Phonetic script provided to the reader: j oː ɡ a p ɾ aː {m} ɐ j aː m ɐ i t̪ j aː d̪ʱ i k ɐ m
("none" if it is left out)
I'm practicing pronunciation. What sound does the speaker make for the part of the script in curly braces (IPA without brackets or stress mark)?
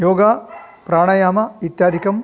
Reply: ɳ